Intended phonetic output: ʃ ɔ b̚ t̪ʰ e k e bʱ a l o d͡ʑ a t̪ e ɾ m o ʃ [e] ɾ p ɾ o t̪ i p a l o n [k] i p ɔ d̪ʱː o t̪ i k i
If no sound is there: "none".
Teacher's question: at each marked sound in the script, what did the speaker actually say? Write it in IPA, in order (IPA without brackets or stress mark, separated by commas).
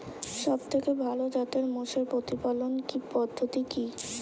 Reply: e, k